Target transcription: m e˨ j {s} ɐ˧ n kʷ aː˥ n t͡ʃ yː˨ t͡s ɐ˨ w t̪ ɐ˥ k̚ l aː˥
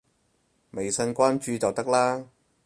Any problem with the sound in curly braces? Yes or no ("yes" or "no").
no